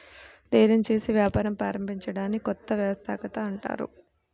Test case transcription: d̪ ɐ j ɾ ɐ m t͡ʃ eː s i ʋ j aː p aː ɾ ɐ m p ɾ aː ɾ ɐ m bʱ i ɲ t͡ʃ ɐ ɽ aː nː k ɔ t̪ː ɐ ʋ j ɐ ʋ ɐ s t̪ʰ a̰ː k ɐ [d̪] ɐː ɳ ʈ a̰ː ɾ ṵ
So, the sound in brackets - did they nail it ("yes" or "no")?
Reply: no